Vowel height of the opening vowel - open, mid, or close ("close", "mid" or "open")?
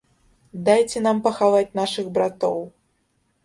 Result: open